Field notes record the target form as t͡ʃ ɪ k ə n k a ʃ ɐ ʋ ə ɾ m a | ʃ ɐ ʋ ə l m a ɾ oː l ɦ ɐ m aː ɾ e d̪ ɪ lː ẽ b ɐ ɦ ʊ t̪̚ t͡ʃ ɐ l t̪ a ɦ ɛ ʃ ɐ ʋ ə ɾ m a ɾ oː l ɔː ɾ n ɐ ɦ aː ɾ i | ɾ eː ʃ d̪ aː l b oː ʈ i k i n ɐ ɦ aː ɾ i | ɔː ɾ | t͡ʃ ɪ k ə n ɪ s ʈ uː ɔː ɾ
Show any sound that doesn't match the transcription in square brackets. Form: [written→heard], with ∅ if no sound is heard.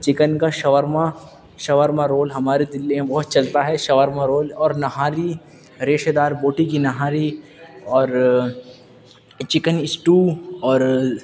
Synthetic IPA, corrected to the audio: t͡ʃ ɪ k ə n k a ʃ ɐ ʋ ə ɾ m a | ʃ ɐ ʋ ə [l→ɾ] m a ɾ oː l ɦ ɐ m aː ɾ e d̪ ɪ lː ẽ b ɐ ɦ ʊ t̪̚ t͡ʃ ɐ l t̪ a ɦ ɛ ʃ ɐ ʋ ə ɾ m a ɾ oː l ɔː ɾ n ɐ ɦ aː ɾ i | ɾ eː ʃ d̪ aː [l→ɾ] b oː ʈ i k i n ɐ ɦ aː ɾ i | ɔː ɾ | t͡ʃ ɪ k ə n ɪ s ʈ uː ɔː ɾ